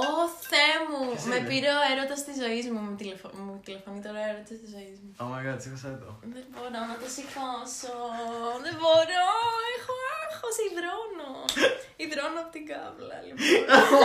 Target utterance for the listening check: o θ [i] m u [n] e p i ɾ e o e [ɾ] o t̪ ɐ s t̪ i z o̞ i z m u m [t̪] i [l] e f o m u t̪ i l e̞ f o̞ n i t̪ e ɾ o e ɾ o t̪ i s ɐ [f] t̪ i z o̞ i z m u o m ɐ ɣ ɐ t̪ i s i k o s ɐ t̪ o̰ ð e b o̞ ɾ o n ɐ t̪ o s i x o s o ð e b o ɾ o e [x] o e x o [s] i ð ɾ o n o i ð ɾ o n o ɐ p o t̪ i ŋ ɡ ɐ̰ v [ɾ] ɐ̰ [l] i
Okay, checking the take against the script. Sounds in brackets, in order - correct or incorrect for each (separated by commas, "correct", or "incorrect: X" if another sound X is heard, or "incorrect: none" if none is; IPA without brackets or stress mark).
incorrect: e, incorrect: m, correct, correct, correct, incorrect: s, correct, correct, incorrect: l, correct